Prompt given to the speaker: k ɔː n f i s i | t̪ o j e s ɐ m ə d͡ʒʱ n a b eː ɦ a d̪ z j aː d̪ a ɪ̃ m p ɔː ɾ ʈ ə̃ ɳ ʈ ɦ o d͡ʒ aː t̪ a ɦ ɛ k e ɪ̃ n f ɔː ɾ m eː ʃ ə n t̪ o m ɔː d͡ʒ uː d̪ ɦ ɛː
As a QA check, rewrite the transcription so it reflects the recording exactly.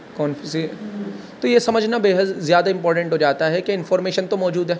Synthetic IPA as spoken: k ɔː n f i s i | t̪ o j e s ɐ m ə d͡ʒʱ n a b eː ɦ ə d̪ z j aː d̪ a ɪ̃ m p ɔː ɾ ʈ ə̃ ɳ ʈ ɦ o d͡ʒ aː t̪ a ɦ ɛ k e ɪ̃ n f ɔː ɾ m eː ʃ ə n t̪ o m ɔː d͡ʒ uː d̪ ɦ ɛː